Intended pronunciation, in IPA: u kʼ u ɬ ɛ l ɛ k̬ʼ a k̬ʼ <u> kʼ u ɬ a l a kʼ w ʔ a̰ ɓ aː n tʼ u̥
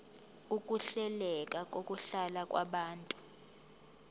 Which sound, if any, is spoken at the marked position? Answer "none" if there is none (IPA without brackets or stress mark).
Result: o